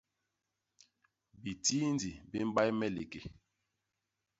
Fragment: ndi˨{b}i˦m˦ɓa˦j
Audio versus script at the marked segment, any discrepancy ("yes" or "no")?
no